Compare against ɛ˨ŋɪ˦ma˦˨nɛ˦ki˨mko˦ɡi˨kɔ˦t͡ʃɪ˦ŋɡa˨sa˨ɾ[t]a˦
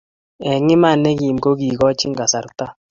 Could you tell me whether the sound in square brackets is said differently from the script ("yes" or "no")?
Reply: no